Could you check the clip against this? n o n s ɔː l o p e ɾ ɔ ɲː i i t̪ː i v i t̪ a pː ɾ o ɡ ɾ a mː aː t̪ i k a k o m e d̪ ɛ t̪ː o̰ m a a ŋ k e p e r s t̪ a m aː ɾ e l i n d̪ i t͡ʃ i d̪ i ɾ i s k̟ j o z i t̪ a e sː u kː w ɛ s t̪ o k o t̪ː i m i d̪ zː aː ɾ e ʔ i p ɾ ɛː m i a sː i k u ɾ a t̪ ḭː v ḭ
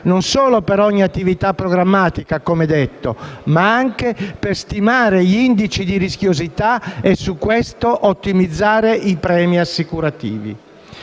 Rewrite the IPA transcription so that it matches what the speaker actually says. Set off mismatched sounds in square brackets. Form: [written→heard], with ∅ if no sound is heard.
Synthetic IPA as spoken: n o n s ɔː l o p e ɾ ɔ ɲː i [i→a] t̪ː i v i t̪ a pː ɾ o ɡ ɾ a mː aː t̪ i k a k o m e d̪ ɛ t̪ː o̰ m a a ŋ k e p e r s t̪ [a→i] m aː ɾ e [l→ʎ] i n d̪ i t͡ʃ i d̪ i ɾ i s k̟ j o z i t̪ a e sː u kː w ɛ s t̪ o [k→ʔ] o t̪ː i m i d̪ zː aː ɾ e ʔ i p ɾ ɛː m i a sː i k u ɾ a t̪ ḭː v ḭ

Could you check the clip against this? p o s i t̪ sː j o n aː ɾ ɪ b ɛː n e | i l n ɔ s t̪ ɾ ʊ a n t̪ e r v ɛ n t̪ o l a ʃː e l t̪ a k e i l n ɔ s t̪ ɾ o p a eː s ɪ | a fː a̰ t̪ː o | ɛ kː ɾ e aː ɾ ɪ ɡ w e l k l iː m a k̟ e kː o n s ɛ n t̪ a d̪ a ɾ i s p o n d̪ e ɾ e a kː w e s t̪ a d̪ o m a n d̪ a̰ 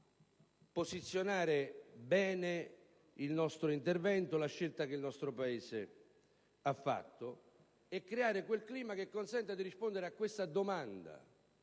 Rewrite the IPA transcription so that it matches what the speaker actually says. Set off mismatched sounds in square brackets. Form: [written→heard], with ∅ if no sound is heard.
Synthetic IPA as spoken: p o s i t̪ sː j o n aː ɾ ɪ b ɛː n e | i l n ɔ s t̪ ɾ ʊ [a→i] n t̪ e r v ɛ n t̪ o l a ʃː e l t̪ a k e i l n ɔ s t̪ ɾ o p a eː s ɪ | a fː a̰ t̪ː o | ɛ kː ɾ e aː ɾ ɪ [ɡ→k] w e l k l iː m a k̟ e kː o n s ɛ n t̪ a d̪ [a→i] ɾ i s p o n d̪ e ɾ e a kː w e s t̪ a d̪ o m a n d̪ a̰

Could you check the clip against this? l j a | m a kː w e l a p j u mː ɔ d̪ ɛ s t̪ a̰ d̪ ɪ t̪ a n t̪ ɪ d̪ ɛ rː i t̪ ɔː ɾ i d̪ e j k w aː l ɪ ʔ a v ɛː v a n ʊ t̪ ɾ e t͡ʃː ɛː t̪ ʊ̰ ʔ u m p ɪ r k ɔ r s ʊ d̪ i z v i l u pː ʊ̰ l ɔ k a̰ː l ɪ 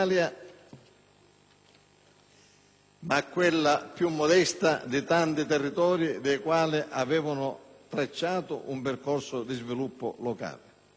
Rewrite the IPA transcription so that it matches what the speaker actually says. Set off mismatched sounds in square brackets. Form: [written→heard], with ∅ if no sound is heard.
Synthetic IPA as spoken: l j a | m a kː w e [l→lː] a p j u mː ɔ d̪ ɛ s t̪ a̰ d̪ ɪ t̪ a n t̪ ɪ [d̪→t̪] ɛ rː i t̪ ɔː ɾ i d̪ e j k w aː l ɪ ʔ a v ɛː v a n ʊ t̪ ɾ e t͡ʃː [ɛː→aː] t̪ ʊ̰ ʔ u m p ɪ r k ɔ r s ʊ d̪ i z v i l u pː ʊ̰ l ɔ k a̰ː l ɪ

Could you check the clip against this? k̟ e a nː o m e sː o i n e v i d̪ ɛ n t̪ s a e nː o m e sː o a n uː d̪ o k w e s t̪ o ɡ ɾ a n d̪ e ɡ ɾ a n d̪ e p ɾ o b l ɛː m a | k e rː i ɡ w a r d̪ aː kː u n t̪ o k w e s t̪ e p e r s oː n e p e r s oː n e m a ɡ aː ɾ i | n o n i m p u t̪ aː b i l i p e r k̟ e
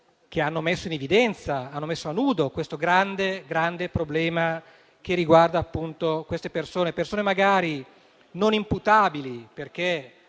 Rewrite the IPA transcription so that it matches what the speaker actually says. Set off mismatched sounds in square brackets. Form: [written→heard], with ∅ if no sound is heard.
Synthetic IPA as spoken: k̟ e a nː o m e sː o i n e v i d̪ ɛ n t̪ s a [e→a] nː o m e sː o a n uː d̪ o k w e s t̪ o ɡ ɾ a n d̪ e ɡ ɾ a n d̪ e p ɾ o b l ɛː m a | k e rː i ɡ w a r d̪ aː [kː→pː] u n t̪ o k w e s t̪ e p e r s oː n e p e r s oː n e m a ɡ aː ɾ i | n o n i m p u t̪ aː b i l i p e r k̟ e

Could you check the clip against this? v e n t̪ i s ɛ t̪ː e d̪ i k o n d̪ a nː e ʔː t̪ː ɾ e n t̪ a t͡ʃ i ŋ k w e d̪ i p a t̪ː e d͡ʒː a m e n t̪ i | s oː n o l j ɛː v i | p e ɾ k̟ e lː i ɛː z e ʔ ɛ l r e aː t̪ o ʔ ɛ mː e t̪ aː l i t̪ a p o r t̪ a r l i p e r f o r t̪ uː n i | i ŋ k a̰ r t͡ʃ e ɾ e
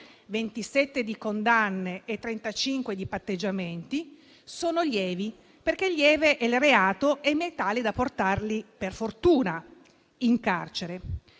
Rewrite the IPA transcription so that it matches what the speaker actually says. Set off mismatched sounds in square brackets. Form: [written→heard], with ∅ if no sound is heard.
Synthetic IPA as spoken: v e n t̪ i s ɛ t̪ː e d̪ i k o n d̪ a nː e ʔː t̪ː ɾ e n t̪ a t͡ʃ i ŋ k w e d̪ i p a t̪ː e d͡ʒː a m e n t̪ i | s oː n o l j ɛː v i | p e [ɾ→r] k̟ e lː [i→j] ɛː [z→v] e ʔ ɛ l r e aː t̪ o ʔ ɛ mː e t̪ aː l i [t̪→d̪] a p o r t̪ a r l i p e r f o r t̪ uː n [i→a] | i ŋ k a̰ r t͡ʃ e ɾ e

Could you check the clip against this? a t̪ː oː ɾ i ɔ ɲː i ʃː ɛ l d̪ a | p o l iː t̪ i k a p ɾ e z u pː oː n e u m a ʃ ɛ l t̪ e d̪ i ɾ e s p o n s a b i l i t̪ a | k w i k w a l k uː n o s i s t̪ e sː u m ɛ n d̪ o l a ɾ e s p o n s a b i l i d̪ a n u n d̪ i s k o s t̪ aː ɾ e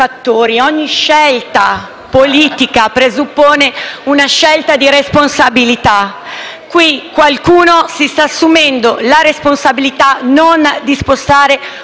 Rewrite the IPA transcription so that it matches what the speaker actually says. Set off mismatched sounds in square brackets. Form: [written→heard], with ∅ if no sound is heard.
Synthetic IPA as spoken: a t̪ː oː ɾ i ɔ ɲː i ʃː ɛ l [d̪→t̪] a | p o l iː t̪ i k a p ɾ e z u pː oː n e u [m→n] a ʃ ɛ l t̪ [e→a] d̪ i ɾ e s p o n s a b i l i t̪ a | k w i k w a l k uː n o s i s t̪ [e→a] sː u m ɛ n d̪ o l a ɾ e s p o n s a b i l i [d̪→t̪] a n [u→o] n d̪ i s [k→p] o s t̪ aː ɾ e

